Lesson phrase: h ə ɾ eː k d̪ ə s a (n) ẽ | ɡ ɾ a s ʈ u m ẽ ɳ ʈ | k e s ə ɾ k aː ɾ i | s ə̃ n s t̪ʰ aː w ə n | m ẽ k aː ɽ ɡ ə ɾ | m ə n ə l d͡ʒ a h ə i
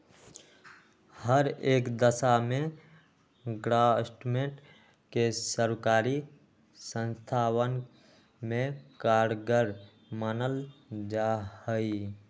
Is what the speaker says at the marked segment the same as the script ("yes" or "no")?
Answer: no